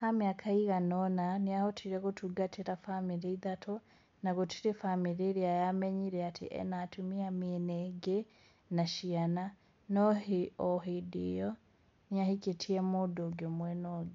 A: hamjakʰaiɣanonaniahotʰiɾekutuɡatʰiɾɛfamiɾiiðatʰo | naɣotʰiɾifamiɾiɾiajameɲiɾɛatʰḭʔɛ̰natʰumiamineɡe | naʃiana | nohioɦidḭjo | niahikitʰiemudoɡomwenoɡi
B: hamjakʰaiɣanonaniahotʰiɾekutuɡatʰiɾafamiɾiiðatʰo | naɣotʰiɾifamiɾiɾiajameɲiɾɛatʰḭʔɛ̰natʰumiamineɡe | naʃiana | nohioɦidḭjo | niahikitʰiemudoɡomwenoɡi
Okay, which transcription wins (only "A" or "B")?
B